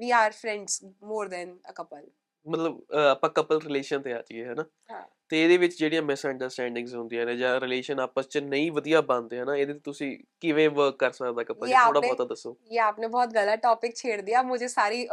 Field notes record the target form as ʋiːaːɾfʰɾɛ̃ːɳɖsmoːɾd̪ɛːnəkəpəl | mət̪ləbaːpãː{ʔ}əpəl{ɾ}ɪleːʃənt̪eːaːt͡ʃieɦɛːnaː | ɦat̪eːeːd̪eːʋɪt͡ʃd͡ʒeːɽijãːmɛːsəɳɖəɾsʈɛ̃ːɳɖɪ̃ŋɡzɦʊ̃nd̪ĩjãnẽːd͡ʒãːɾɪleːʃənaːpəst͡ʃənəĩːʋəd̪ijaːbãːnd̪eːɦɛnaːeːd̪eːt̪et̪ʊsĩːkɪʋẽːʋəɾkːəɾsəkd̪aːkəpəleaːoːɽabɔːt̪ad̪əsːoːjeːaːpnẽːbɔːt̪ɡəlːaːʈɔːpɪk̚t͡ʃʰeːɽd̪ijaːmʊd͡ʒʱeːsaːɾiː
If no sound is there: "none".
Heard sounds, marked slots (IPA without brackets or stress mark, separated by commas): k, ɾ